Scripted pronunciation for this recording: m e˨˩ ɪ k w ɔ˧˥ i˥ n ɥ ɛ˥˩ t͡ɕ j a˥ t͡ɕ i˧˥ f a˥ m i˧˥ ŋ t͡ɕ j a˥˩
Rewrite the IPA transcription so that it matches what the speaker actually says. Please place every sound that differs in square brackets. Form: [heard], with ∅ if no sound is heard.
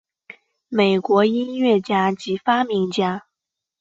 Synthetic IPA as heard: m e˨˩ ɪ k w ɔ˧˥ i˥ n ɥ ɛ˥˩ t͡ɕ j a˥ t͡ɕ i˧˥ f a˥ m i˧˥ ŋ t͡ɕ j [a˥]